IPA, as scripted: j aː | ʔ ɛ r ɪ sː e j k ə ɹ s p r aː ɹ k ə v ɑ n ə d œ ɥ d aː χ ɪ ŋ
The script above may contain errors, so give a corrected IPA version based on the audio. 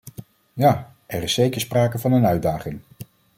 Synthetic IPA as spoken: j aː | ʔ ɛ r ɪ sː e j k ə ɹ s p r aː k ə v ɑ n ə n œ ɥ d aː χ ɪ ŋ